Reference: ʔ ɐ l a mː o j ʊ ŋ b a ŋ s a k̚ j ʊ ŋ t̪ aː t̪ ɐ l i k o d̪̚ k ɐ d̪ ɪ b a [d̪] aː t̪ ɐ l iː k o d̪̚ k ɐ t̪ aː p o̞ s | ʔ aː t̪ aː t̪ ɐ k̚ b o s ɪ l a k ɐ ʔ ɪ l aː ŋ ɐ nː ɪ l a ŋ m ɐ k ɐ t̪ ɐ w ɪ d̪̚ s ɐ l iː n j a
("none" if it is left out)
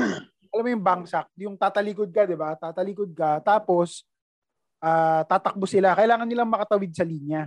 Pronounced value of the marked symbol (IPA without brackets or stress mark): t̪